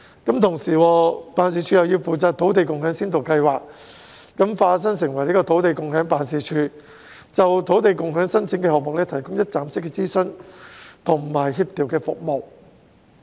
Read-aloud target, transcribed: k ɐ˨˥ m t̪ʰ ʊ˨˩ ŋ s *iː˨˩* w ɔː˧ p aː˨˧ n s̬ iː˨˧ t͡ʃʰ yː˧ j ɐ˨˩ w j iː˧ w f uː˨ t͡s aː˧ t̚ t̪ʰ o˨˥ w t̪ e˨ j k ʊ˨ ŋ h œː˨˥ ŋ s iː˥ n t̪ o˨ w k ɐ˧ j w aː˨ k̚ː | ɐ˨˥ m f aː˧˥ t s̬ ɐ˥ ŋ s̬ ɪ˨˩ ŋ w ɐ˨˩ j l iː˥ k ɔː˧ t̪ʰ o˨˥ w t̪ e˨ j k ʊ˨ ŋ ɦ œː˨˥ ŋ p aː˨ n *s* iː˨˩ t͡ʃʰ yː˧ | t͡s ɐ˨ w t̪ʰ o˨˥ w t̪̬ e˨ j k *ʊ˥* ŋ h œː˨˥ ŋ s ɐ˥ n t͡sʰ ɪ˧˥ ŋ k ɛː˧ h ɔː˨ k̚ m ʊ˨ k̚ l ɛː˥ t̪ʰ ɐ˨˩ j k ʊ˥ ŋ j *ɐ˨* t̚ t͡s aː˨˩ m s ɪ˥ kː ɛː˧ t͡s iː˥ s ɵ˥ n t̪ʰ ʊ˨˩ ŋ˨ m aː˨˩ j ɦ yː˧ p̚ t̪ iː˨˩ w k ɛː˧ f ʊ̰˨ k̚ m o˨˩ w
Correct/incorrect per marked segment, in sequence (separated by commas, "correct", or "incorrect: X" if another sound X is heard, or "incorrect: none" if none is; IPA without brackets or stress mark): correct, correct, incorrect: ʊ˨, incorrect: ɐ˥